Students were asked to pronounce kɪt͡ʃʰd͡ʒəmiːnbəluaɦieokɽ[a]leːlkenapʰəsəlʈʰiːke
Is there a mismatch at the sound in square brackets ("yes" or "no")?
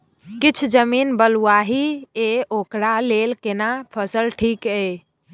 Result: no